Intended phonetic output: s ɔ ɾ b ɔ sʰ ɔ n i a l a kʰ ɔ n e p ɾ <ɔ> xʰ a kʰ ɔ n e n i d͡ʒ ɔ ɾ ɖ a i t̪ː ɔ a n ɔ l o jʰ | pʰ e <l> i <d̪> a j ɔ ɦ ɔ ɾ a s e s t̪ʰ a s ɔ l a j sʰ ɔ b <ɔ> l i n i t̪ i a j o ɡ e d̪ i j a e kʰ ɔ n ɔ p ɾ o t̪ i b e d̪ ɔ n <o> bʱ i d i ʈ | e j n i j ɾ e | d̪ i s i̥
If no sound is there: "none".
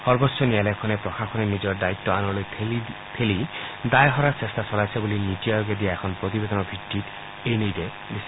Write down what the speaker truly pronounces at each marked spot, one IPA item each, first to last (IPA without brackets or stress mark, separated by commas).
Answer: ɔ, l, d̪, u, ɔ